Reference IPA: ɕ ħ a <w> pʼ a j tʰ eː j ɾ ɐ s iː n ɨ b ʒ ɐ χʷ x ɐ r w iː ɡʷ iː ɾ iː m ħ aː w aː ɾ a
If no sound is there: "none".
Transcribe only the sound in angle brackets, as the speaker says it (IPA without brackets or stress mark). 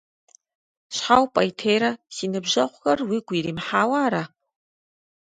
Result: w